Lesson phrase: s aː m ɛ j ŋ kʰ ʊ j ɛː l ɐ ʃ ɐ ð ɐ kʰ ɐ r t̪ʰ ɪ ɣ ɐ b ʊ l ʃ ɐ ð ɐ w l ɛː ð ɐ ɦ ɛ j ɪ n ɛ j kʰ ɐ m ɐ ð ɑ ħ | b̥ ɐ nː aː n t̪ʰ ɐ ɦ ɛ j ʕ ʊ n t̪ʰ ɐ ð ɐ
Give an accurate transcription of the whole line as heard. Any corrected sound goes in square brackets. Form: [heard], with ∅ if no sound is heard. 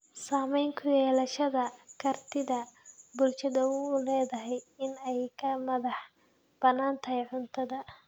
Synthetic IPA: s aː m ɛ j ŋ kʰ ʊ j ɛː l ɐ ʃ ɐ ð ɐ kʰ ɐ r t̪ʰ ɪ [ð] ɐ b ʊ l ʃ ɐ ð ɐ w l ɛː ð ɐ ɦ ɛ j ɪ n ɛ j kʰ ɐ m ɐ ð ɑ ħ | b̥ ɐ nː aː n t̪ʰ ɐ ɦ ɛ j ʕ ʊ n t̪ʰ ɐ ð ɐ